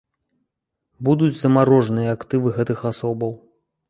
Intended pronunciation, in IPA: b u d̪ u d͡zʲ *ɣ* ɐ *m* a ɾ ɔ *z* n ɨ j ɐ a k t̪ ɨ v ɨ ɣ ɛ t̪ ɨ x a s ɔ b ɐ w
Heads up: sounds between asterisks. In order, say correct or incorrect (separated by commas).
incorrect, correct, incorrect